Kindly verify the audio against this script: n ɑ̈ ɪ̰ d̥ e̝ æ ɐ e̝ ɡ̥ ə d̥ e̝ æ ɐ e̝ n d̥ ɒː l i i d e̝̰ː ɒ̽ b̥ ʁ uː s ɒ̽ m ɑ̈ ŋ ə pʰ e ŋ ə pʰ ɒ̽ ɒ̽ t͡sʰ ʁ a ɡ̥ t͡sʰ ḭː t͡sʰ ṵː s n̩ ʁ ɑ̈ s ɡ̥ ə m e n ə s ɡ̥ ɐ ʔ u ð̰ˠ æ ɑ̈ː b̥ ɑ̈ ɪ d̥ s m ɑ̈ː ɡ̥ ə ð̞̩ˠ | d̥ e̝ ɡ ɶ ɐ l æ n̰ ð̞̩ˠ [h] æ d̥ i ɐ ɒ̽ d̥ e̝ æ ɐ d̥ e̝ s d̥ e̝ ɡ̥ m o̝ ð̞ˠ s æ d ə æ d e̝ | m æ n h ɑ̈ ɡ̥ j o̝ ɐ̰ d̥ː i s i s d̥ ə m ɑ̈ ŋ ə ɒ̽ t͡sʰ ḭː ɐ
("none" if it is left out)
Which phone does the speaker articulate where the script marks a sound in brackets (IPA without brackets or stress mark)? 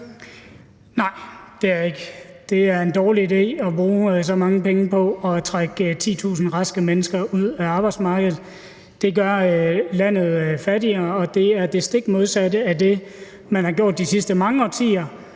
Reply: f